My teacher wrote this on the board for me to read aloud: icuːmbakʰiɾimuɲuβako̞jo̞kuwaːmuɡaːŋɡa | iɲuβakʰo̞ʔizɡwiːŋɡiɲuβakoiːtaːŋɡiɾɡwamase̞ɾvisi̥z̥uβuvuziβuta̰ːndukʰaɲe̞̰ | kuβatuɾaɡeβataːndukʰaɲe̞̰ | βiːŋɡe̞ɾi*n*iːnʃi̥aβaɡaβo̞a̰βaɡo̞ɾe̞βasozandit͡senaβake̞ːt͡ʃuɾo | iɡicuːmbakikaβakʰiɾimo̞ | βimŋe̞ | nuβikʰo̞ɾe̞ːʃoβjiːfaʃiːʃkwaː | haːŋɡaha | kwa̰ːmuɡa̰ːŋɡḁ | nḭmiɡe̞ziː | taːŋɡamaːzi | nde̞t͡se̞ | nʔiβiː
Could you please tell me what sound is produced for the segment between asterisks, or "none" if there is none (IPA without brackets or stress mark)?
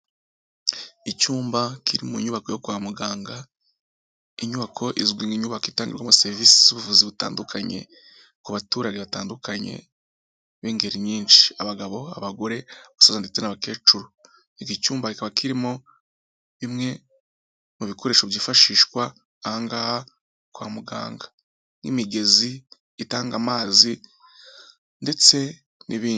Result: ɲ